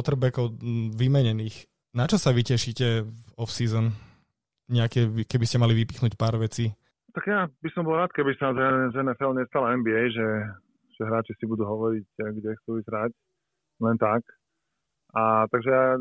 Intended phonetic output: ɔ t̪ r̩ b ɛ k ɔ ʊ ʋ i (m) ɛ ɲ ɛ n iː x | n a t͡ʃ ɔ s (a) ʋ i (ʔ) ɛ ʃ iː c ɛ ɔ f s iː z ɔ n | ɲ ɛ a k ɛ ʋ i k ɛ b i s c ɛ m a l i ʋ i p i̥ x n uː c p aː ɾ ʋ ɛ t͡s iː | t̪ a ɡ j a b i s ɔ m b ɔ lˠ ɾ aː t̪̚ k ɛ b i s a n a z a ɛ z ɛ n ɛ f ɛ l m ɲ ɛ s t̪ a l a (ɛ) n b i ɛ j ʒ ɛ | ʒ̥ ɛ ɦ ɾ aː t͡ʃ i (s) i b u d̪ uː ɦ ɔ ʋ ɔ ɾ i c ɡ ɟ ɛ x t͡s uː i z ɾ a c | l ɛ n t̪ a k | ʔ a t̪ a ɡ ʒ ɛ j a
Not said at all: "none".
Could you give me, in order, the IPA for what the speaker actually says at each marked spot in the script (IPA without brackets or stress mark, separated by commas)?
m, a, c, ɛ, s